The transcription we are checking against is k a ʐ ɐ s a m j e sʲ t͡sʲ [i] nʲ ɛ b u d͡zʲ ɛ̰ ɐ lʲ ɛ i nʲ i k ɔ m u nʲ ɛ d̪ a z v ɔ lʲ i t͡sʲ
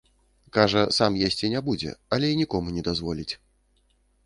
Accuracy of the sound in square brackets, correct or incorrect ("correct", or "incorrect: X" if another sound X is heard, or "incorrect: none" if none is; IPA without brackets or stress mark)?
correct